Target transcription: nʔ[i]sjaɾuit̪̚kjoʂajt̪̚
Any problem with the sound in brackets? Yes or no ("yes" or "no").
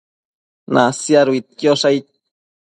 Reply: yes